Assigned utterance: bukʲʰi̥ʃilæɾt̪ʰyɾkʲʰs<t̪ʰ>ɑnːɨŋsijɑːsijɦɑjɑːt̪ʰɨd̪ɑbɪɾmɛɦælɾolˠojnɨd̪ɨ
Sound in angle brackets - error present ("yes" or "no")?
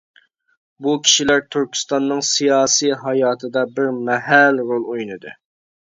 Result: yes